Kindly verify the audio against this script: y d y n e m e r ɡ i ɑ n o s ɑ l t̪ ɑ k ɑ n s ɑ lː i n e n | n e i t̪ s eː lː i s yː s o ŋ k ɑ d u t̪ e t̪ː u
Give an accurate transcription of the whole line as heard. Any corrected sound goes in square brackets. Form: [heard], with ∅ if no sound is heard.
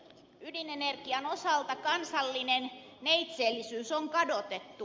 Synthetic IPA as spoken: y d [i] n e [n] e r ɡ i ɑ n o s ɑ l t̪ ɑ k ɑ n s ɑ lː i n e n | n e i t̪ s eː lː i s yː s o ŋ k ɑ d [o] t̪ e t̪ː u